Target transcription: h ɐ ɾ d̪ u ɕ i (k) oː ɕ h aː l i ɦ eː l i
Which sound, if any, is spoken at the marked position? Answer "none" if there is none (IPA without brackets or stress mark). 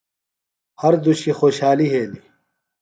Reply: x